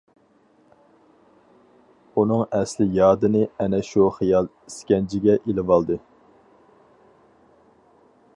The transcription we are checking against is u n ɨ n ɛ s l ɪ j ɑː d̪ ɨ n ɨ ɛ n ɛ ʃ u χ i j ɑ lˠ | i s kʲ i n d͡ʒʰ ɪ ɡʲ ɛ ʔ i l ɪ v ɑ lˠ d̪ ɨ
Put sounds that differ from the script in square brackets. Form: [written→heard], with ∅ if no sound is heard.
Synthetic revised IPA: u n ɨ [n→ŋ] ɛ s l ɪ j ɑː d̪ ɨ n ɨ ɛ n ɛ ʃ u χ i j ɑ lˠ | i s kʲ [i→ɛ] n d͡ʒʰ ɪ ɡʲ ɛ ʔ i l ɪ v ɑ lˠ d̪ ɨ